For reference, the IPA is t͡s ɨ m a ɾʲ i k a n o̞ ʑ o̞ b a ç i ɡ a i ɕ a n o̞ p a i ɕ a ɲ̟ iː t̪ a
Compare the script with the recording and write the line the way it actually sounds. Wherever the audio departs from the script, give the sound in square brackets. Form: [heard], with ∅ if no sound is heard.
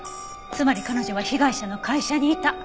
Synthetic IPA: t͡s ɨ m a ɾʲ i k a n o̞ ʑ o̞ [β] a ç i ɡ a i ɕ a n o̞ [k] a i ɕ a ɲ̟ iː t̪ a